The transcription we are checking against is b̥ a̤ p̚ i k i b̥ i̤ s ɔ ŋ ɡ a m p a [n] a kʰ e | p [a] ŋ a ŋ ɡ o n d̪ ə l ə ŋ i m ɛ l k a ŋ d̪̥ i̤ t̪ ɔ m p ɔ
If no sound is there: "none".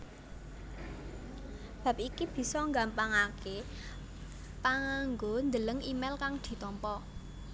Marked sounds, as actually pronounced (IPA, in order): ŋ, a

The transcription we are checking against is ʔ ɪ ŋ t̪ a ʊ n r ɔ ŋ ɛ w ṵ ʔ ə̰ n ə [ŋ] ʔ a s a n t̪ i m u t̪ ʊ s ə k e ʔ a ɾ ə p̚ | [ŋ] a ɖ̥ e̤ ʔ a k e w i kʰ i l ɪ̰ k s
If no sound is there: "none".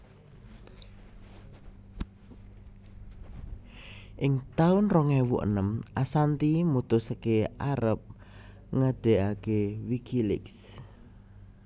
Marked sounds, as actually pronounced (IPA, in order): m, ŋ

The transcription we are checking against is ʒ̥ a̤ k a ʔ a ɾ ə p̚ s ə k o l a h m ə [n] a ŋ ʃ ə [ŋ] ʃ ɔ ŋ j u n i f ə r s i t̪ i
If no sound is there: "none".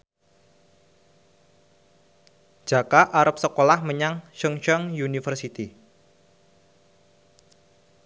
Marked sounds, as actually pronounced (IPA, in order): ɲ, ŋ

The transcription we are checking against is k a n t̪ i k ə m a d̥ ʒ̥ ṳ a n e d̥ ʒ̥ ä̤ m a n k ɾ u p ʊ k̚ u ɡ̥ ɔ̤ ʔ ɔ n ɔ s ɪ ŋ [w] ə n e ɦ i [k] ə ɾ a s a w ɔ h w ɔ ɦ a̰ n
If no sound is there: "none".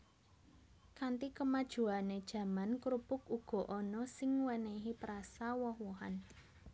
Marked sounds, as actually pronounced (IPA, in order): w, p

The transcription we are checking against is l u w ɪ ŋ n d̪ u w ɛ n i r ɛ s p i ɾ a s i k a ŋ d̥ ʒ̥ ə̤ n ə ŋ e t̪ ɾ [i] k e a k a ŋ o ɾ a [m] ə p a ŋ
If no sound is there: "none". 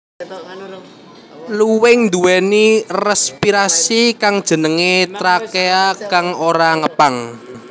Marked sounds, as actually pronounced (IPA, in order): a, ŋ

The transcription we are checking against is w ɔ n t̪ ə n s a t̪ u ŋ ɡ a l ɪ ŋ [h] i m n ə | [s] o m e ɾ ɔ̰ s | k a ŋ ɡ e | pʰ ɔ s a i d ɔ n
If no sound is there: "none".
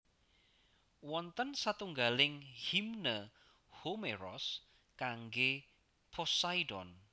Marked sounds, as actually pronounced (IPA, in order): h, h

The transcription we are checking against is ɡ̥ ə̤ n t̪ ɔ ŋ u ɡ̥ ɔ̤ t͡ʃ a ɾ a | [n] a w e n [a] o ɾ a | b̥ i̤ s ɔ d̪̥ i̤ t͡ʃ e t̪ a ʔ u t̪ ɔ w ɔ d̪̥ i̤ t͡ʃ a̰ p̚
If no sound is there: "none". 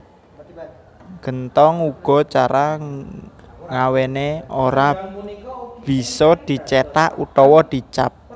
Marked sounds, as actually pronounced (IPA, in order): ŋ, e

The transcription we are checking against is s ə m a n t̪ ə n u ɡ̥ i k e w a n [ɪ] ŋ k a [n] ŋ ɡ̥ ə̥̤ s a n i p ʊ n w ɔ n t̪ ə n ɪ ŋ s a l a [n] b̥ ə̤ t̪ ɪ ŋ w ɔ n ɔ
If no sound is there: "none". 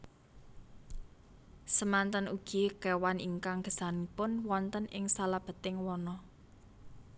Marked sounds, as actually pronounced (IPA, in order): i, none, none

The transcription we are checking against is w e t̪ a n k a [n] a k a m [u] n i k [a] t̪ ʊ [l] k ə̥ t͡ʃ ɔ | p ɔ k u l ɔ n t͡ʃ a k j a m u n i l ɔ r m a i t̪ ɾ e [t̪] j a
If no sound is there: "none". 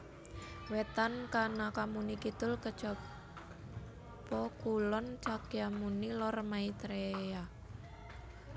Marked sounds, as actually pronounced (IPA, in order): n, u, i, l, none

